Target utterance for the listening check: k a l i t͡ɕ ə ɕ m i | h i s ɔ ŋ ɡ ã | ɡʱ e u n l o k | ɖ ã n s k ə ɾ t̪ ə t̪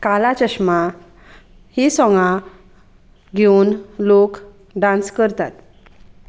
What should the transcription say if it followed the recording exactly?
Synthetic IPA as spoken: k a l a t͡ɕ ə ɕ m a | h i s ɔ ŋ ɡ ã | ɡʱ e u n l o k | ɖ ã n s k ə ɾ t̪ a t̪